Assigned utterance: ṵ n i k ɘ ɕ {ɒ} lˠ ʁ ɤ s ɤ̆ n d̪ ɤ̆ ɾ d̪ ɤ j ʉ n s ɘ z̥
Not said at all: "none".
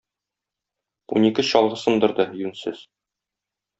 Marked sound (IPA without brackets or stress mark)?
ɒ